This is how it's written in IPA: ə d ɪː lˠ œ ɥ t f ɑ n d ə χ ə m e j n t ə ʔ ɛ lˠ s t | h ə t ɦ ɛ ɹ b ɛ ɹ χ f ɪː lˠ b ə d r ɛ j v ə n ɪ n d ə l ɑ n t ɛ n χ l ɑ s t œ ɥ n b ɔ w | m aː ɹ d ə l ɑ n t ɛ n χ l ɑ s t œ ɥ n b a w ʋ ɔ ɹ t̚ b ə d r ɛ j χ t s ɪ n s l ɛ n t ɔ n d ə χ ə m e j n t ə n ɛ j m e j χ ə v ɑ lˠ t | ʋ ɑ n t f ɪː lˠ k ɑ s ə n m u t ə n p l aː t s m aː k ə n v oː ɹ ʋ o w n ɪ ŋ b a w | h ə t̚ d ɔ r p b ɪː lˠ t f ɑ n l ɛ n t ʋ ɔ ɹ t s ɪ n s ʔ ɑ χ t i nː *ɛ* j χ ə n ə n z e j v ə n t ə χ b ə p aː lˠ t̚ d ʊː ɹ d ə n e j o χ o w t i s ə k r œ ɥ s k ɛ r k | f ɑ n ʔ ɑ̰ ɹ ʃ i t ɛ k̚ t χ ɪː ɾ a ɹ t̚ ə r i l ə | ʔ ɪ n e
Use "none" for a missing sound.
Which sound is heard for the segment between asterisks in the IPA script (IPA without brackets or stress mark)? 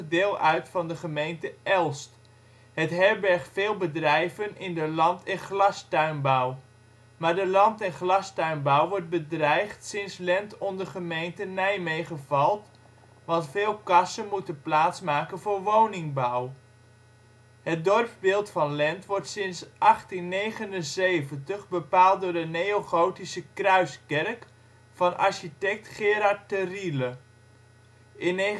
e